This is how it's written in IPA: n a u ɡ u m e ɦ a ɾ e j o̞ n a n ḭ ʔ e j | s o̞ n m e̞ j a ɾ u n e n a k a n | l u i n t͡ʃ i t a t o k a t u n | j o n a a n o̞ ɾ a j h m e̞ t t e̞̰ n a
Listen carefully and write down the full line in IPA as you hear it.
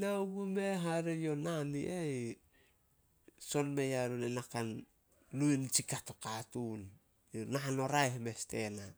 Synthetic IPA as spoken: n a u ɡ u m e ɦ a ɾ e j o̞ n a n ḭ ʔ e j | s o̞ n m e̞ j a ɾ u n e n a k a n | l u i n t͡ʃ i k a t o k a t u n | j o n a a n o̞ ɾ a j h m e̞ s t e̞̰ n a